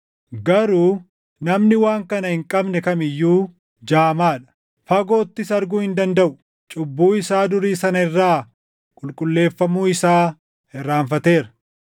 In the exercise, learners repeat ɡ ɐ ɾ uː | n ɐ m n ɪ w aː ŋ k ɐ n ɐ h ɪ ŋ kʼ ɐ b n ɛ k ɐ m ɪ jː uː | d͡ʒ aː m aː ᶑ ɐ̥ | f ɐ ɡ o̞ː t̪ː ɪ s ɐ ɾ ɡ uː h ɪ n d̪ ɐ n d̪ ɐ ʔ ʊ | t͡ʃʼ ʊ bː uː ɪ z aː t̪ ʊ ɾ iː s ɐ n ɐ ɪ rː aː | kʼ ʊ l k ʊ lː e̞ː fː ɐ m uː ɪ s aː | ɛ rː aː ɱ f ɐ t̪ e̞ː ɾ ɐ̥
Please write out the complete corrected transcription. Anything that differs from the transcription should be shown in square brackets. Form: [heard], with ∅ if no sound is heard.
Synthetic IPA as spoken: ɡ ɐ ɾ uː | n ɐ m n ɪ w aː ŋ k ɐ n ɐ h ɪ ŋ kʼ ɐ b n ɛ k ɐ m ɪ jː uː | d͡ʒ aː m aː ᶑ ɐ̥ | f ɐ ɡ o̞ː t̪ː ɪ s ɐ ɾ ɡ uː h ɪ n d̪ ɐ n d̪ ɐ ʔ ʊ | t͡ʃʼ ʊ bː uː ɪ [s] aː [d̪] ʊ ɾ iː s ɐ n ɐ ɪ rː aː | kʼ ʊ l [kʼ] ʊ lː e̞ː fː ɐ m uː ɪ s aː | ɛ rː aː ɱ f ɐ t̪ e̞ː ɾ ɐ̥